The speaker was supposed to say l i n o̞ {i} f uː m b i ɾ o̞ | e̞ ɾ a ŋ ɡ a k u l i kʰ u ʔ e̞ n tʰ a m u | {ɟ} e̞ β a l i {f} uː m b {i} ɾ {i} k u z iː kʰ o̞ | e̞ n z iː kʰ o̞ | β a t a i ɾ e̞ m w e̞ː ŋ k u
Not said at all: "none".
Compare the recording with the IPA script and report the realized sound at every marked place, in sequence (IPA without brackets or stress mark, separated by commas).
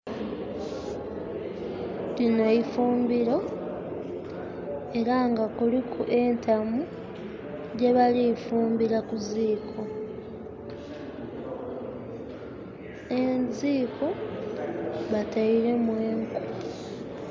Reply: i, ɟ, f, i, a